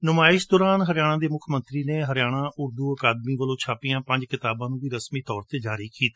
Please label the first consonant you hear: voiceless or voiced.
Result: voiced